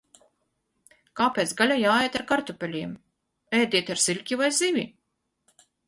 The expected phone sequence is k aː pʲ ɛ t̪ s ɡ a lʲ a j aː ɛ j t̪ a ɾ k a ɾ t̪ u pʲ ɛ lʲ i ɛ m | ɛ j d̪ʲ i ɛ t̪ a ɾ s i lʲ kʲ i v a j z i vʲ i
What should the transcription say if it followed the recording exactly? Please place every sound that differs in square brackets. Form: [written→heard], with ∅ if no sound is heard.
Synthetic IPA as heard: k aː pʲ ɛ t̪ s ɡ a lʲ a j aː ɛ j t̪ a ɾ k a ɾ t̪ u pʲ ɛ lʲ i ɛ m | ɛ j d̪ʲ i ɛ t̪ a ɾ s i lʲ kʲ i v a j z i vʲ i